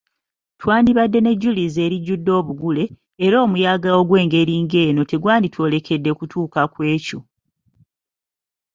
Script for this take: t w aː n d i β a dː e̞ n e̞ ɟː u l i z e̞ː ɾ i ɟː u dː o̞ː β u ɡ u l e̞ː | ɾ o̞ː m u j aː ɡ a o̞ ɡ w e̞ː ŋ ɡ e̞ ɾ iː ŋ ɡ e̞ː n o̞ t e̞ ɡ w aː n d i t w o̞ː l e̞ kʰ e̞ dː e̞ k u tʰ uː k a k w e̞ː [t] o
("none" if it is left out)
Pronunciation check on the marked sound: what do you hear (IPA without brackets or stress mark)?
c